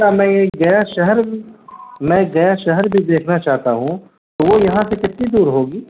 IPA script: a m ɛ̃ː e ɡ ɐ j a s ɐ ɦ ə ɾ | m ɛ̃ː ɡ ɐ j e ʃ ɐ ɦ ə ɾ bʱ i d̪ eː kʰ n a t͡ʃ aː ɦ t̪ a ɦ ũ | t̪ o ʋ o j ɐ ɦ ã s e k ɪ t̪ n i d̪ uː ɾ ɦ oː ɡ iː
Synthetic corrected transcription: a m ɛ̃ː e ɡ ɐ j a ʃ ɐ ɦ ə ɾ | m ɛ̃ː ɡ ɐ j a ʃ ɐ ɦ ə ɾ bʱ i d̪ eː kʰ n a t͡ʃ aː ɦ t̪ a ɦ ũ | t̪ o ʋ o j ɐ ɦ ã s e k ɪ t̪ n i d̪ uː ɾ ɦ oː ɡ iː